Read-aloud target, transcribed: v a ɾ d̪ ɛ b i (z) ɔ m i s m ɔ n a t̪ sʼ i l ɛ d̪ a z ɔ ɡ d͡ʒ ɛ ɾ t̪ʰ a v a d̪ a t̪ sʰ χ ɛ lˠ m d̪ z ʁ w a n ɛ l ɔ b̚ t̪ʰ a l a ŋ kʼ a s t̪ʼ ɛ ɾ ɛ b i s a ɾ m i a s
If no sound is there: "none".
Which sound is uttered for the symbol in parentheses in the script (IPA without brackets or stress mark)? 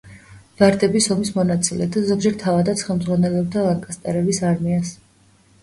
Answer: s